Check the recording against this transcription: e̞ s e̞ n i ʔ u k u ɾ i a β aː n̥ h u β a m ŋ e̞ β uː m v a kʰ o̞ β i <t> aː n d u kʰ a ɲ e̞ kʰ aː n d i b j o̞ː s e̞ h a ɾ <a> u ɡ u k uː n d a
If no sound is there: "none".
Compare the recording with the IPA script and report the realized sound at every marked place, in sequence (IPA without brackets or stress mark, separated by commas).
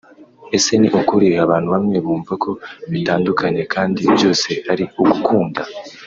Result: t, i